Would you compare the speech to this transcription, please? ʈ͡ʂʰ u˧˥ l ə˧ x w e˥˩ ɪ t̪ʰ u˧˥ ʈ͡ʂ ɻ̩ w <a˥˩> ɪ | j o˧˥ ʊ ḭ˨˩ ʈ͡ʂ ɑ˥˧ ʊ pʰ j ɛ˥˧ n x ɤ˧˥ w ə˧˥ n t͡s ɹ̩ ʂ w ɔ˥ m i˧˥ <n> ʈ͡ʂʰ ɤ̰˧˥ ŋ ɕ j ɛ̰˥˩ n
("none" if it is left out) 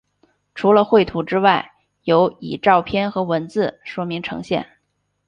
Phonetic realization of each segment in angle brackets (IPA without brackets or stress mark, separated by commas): a˥˩, ŋ